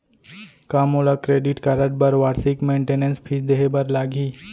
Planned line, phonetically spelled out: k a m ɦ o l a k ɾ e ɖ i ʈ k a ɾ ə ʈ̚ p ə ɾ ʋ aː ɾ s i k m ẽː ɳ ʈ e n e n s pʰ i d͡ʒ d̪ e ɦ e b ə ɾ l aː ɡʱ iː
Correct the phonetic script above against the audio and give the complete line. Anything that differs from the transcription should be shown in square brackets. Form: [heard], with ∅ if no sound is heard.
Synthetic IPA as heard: k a m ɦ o l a k ɾ e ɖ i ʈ k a ɾ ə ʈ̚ [b] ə ɾ ʋ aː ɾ s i k m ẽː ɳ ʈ e n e n s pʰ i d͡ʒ d̪ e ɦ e b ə ɾ l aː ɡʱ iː